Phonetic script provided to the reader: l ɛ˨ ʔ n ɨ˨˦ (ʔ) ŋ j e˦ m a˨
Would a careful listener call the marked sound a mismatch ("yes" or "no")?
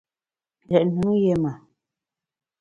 yes